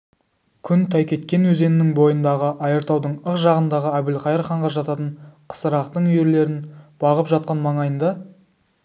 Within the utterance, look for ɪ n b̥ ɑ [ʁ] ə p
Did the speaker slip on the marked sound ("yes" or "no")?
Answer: no